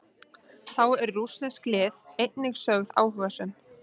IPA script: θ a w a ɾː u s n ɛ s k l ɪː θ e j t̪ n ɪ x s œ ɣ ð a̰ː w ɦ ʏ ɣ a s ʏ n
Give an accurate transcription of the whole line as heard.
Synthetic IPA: θ a w ɛ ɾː u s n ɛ s k l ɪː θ e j t̪ n ɪ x s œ ɣ ð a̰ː w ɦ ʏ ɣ a s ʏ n